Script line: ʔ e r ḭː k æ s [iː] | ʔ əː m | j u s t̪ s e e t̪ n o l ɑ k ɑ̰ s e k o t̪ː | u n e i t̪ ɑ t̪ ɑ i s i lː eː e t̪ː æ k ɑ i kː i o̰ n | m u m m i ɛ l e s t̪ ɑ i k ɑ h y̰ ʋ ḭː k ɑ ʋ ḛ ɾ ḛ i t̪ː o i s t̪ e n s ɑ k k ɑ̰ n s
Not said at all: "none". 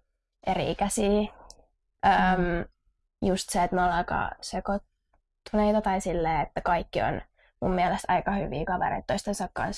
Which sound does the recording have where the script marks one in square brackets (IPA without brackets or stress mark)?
iː